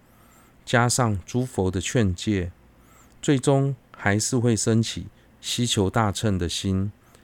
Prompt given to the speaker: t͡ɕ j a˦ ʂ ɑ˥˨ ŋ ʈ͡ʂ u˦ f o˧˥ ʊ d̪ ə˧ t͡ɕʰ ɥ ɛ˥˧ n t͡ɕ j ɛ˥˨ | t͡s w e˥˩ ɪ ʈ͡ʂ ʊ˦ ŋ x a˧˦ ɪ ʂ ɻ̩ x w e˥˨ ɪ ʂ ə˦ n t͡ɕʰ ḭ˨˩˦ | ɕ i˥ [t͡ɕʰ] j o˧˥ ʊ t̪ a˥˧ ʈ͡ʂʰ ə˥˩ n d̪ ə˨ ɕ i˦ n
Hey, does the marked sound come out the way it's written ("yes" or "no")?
yes